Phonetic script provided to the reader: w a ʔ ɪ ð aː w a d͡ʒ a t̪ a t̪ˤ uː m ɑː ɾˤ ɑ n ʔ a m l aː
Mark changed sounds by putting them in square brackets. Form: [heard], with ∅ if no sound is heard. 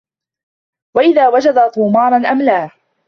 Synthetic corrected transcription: w a ʔ ɪ ð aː w a d͡ʒ a [d̪] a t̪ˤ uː m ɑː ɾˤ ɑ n ʔ a m l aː

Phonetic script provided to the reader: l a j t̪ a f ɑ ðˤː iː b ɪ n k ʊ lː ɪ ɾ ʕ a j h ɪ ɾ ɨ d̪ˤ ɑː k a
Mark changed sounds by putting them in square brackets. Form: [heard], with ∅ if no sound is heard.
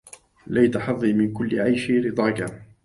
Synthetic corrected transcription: l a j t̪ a [ħ] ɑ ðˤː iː [m] ɪ n k ʊ lː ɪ [∅] ʕ a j [ʃ] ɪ ɾ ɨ d̪ˤ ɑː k a

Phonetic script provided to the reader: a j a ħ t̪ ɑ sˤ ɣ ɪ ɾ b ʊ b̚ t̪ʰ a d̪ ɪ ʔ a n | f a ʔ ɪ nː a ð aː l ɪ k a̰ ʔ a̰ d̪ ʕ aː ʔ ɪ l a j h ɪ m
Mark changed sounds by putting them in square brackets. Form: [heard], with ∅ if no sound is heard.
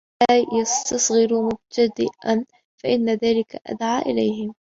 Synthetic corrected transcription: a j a [s] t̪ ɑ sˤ ɣ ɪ ɾ [m] ʊ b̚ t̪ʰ a d̪ ɪ ʔ a n | f a ʔ ɪ nː a ð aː l ɪ k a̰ ʔ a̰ d̪ ʕ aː ʔ ɪ l a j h ɪ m

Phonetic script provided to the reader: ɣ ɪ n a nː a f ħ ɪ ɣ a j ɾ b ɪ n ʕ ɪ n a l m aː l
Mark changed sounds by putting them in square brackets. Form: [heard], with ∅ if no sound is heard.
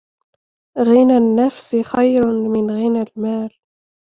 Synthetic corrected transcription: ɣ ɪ n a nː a f [s] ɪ [x] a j ɾ [m] ɪ n [ɣ] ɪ n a l m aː l

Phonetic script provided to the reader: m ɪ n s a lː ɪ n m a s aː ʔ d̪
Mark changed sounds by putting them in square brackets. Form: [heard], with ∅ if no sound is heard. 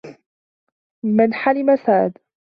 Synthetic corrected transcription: m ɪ n [ħ] a [l] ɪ [∅] m a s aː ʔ d̪

